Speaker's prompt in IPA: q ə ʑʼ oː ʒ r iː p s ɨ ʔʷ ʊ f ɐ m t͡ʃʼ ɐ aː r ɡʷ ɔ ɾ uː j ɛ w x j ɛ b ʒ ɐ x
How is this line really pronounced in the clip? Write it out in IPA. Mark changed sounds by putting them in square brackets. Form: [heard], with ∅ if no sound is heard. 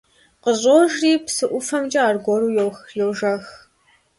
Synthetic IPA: q ə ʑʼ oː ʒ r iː p s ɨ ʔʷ ʊ f ɐ m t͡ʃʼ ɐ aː r ɡʷ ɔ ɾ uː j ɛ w x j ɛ [w] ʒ ɐ x